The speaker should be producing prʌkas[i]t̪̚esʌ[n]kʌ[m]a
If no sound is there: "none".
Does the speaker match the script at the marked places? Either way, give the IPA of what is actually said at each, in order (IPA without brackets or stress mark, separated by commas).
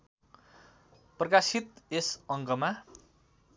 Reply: i, ŋ, m